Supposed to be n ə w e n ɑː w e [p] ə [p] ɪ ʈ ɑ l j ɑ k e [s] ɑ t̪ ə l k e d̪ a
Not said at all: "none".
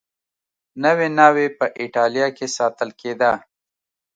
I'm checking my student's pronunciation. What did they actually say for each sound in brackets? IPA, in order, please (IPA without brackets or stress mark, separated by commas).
p, ʔ, s